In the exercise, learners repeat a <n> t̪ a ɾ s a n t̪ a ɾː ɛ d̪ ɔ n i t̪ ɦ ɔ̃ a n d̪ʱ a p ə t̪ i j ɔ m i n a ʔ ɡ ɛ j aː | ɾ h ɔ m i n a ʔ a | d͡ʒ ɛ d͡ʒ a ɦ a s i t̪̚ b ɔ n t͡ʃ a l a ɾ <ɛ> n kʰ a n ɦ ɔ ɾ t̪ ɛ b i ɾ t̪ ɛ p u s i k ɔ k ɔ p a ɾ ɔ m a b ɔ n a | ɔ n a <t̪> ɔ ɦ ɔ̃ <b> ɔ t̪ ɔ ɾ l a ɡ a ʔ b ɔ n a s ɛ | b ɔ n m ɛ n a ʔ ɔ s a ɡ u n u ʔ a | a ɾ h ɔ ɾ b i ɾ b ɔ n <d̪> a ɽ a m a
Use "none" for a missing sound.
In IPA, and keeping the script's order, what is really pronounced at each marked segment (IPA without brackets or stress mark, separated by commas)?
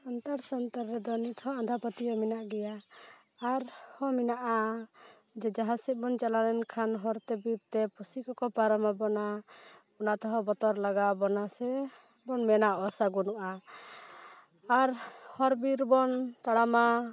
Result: n, ɛ, t̪, b, t̪